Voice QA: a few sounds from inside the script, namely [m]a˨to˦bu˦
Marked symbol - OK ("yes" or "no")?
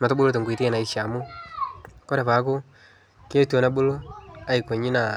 yes